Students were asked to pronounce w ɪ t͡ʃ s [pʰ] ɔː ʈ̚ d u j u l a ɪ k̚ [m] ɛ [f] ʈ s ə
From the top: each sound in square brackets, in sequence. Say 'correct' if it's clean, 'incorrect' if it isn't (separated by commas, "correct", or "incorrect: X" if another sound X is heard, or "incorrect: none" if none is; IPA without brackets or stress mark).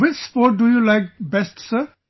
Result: incorrect: p, incorrect: b, incorrect: s